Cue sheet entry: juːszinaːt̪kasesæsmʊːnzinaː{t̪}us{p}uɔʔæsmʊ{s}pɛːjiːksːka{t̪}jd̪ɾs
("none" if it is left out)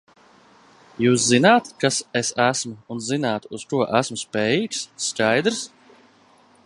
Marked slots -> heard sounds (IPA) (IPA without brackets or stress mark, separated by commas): t̪, k, s, none